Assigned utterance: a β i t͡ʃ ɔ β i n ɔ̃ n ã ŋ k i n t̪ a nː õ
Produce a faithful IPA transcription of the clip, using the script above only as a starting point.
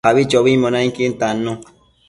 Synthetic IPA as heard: a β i t͡ʃ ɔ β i m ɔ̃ n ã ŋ k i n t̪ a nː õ